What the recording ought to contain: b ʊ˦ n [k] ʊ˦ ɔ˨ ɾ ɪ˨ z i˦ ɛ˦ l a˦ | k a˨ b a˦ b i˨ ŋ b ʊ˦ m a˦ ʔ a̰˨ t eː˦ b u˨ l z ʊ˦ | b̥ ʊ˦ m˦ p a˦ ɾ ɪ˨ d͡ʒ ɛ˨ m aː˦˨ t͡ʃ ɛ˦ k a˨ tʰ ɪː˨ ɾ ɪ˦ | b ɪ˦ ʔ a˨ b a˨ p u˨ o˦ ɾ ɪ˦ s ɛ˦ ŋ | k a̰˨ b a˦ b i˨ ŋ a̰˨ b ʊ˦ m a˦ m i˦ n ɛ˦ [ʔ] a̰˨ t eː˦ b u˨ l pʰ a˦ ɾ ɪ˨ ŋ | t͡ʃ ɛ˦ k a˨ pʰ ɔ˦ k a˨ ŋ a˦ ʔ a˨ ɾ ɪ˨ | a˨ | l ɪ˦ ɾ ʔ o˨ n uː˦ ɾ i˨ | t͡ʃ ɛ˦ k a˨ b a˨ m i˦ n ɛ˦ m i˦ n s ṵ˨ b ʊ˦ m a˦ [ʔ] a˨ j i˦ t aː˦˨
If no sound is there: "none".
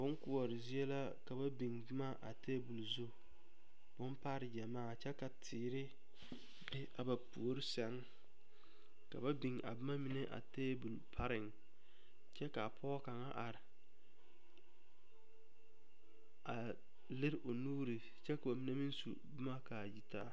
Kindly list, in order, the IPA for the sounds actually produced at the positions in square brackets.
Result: k, ʔ, k

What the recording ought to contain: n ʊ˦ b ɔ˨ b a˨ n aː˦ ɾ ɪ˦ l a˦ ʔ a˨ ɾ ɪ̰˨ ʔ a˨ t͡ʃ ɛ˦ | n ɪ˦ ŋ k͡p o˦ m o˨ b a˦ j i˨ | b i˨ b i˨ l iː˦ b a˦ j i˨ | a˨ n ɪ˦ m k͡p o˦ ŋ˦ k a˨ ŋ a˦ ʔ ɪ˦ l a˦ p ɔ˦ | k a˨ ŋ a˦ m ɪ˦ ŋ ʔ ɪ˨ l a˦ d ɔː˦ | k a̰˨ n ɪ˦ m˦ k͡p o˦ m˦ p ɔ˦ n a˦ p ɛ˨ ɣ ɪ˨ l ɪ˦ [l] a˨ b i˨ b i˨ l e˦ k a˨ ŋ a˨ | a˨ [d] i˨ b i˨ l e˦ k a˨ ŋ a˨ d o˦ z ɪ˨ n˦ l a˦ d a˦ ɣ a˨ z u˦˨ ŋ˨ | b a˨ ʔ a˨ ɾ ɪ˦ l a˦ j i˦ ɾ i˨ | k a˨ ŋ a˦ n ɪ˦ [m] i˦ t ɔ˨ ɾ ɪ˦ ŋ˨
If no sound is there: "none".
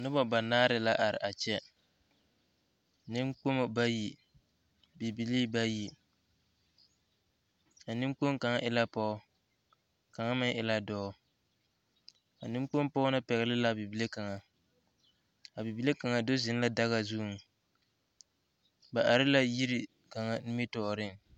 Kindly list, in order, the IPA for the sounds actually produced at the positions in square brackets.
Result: l, b, m

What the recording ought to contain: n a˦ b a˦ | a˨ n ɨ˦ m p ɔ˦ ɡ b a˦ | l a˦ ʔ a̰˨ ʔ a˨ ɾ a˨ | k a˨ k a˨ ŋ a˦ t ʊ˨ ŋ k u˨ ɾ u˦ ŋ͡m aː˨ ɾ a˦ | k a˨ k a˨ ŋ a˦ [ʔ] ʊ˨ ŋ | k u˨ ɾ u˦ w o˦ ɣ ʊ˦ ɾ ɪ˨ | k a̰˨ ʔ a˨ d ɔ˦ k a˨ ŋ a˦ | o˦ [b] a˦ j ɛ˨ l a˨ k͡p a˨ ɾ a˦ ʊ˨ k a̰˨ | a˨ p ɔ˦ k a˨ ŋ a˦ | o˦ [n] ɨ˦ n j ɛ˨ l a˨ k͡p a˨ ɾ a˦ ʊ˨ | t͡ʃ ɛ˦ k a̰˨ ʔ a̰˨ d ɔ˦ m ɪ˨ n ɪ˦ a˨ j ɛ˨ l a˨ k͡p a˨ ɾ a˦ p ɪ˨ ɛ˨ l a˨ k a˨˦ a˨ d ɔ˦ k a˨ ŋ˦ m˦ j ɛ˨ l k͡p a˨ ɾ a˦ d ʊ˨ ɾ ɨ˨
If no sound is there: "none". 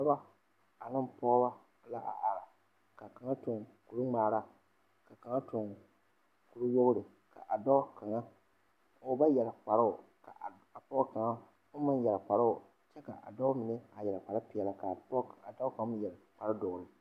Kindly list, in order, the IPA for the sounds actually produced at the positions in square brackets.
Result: t, b, m

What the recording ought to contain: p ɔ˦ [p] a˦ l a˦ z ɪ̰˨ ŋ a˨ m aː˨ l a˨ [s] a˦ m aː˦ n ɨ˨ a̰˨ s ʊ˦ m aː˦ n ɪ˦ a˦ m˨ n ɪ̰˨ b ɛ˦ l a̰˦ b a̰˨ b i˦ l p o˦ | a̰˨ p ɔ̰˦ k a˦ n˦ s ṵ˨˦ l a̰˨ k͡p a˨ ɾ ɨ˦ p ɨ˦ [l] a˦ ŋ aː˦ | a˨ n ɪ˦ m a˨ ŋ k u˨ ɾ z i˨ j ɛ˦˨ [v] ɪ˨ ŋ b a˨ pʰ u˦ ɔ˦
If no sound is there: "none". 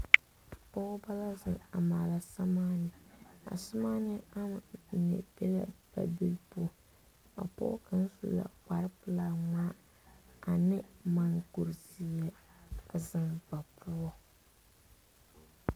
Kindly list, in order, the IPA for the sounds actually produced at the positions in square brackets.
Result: b, s, l, z

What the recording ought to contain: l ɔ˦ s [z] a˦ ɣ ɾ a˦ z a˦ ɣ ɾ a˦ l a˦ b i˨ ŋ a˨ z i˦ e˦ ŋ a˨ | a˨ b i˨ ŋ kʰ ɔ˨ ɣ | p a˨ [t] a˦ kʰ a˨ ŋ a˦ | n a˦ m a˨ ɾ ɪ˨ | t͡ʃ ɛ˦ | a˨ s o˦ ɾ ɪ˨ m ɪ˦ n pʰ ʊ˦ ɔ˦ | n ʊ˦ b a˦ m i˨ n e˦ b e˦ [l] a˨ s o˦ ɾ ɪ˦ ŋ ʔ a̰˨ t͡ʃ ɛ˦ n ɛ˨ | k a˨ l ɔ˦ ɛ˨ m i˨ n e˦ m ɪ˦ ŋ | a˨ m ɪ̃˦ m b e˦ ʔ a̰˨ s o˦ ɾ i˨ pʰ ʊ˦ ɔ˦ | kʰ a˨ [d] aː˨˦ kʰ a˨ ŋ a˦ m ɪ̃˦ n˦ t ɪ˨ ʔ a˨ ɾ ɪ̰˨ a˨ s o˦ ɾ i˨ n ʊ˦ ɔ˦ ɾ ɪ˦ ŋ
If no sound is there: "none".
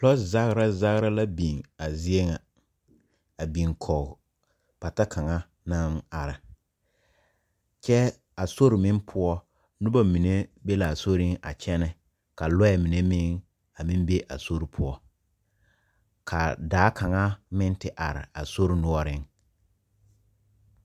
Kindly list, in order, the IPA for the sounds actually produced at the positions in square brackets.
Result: z, t, l, d

